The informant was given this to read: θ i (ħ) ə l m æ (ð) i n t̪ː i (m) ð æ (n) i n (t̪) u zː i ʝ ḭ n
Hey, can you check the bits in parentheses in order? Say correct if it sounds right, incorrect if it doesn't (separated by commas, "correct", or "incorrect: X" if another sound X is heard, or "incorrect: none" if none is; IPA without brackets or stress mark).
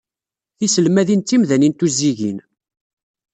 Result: incorrect: s, correct, correct, correct, correct